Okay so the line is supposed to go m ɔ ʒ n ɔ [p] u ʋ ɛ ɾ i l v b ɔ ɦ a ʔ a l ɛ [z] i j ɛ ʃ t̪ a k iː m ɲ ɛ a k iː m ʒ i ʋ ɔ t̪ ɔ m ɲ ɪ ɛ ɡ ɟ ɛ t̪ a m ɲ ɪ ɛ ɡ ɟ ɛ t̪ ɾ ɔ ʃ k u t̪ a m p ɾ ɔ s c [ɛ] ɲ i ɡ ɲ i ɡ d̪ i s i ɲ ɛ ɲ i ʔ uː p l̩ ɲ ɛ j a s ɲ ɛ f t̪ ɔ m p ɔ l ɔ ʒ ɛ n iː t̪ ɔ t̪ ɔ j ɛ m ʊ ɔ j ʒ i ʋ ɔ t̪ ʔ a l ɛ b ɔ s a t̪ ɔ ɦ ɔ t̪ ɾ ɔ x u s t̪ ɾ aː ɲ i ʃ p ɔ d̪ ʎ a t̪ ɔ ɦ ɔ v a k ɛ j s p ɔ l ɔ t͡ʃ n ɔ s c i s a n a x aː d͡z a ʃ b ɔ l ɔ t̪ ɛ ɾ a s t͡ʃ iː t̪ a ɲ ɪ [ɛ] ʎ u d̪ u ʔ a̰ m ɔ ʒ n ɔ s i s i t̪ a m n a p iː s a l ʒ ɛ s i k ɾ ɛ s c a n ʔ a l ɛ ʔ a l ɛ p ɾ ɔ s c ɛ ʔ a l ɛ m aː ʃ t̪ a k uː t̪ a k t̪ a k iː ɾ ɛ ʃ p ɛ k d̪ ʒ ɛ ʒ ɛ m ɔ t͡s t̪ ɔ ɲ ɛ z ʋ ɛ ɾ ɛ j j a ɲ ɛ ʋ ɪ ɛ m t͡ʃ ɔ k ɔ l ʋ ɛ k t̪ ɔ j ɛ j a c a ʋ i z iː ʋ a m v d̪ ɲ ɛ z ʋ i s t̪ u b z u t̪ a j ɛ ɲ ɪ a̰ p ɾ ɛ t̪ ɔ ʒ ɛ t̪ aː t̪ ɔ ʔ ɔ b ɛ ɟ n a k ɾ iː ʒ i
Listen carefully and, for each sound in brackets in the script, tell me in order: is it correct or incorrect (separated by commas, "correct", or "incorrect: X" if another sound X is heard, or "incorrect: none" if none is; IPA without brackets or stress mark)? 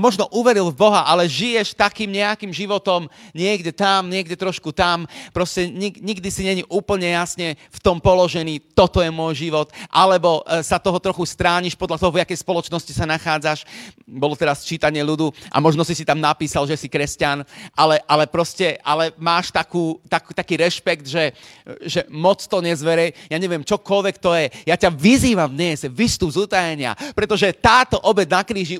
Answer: incorrect: ʔ, incorrect: ʒ, correct, correct